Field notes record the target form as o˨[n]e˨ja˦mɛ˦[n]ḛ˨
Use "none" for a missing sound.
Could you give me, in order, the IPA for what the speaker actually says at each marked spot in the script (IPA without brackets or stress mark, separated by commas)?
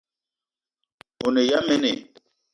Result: n, n